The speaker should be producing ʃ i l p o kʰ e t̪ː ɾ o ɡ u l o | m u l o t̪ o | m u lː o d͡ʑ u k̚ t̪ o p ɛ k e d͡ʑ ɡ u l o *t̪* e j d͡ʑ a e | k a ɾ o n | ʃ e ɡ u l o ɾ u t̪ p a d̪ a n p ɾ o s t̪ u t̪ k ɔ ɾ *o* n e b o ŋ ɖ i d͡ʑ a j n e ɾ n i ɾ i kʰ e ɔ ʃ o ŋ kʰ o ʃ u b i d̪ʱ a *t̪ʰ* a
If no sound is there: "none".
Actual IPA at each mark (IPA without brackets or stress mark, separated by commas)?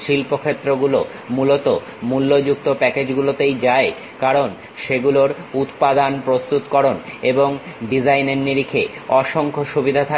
t̪, o, t̪ʰ